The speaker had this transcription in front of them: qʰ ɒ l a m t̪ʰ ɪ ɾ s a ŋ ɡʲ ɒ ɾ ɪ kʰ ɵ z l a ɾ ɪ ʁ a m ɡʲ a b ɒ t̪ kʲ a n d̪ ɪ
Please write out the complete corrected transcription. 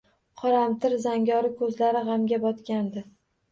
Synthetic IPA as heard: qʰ ɒ ɾ a m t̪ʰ ɪ ɾ z a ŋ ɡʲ ɒ ɾ ɪ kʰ ɵ z l a ɾ ɪ ʁ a m ɡʲ a b ɒ t̪ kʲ a n d̪ ɪ